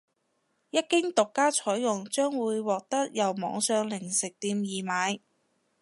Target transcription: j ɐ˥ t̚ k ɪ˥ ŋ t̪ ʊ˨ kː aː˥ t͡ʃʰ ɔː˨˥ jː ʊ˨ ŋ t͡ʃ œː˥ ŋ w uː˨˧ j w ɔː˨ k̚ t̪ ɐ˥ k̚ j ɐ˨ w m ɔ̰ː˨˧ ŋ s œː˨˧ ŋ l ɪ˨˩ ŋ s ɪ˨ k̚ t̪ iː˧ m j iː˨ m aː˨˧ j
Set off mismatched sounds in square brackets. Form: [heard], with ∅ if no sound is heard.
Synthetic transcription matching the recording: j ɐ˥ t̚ k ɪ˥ ŋ t̪ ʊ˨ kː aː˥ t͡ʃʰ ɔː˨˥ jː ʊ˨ ŋ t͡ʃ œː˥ ŋ w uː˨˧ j w ɔː˨ k̚ t̪ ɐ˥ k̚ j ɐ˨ w m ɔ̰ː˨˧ ŋ s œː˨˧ ŋ l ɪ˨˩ ŋ s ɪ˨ k̚ t̪ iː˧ m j iː˨ m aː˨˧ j